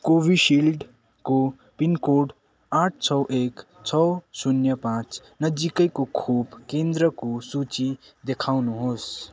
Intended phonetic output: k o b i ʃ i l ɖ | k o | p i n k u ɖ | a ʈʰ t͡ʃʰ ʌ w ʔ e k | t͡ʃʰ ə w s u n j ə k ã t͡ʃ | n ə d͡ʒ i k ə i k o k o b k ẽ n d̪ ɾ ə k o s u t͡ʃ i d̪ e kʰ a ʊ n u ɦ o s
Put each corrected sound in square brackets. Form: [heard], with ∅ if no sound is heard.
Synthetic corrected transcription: k o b i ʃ i l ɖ | k o | p i n k [o] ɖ | a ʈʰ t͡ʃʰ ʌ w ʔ e k | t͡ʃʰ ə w s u n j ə [p] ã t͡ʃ | n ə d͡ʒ i k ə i k o [kʰ] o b k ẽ n d̪ ɾ ə k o s u t͡ʃ i d̪ e kʰ a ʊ n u ɦ o s